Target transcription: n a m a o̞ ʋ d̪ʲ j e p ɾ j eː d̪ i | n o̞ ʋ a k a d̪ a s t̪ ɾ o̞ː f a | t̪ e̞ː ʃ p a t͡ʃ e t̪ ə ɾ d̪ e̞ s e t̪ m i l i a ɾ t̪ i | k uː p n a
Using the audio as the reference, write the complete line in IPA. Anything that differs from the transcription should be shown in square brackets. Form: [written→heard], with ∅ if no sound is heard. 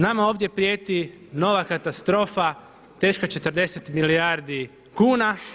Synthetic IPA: n a m a o̞ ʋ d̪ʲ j e p ɾ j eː [d̪→t̪] i | n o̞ ʋ a k a [d̪→t̪] a s t̪ ɾ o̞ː f a | t̪ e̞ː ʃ [p→k] a t͡ʃ e t̪ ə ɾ d̪ e̞ s e t̪ m i l i a ɾ [t̪→d̪] i | k uː [p→∅] n a